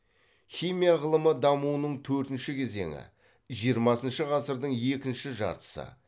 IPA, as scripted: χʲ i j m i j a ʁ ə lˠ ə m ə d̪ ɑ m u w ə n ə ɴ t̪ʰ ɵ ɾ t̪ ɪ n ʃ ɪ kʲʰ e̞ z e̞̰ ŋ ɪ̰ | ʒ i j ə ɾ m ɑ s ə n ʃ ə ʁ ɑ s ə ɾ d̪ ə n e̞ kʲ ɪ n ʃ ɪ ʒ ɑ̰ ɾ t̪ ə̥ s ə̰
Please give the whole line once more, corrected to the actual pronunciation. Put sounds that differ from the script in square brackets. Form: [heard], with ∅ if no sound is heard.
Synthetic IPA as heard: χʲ i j m i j a ʁ ə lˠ ə m ə d̪ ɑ m u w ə n ə ɴ t̪ʰ ɵ ɾ t̪ ɪ n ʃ ɪ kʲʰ e̞ z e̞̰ ŋ ɪ̰ | ʒ i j ə ɾ m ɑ s ə n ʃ ə ʁ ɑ s ə ɾ d̪ ə [ɴ] e̞ kʲ ɪ n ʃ ɪ ʒ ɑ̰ ɾ t̪ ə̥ s ə̰